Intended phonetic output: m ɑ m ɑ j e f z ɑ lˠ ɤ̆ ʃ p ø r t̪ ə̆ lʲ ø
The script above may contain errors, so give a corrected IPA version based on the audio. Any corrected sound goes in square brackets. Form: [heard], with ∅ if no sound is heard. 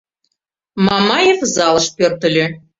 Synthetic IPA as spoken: m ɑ m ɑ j e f z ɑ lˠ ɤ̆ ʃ p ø r t̪ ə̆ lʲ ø